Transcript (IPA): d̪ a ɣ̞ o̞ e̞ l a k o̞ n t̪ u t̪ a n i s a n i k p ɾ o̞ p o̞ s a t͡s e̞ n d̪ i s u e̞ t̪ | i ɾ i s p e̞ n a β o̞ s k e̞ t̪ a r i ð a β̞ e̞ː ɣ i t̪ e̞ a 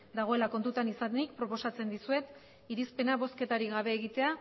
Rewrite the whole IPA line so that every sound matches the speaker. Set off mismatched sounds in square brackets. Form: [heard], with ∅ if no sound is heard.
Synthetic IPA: d̪ a ɣ̞ o̞ e̞ l a k o̞ n t̪ u t̪ a n i s a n i k p ɾ o̞ p o̞ s a t͡s e̞ n d̪ i s u e̞ t̪ | i ɾ i s p e̞ n a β o̞ s k e̞ t̪ a [ɾ] i [ɣ] a β̞ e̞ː ɣ i t̪ e̞ a